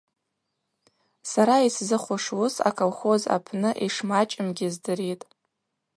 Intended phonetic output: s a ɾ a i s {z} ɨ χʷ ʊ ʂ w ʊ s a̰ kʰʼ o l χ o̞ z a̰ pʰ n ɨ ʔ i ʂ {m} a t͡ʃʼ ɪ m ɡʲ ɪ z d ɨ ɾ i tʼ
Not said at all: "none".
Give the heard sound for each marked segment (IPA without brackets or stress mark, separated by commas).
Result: z, m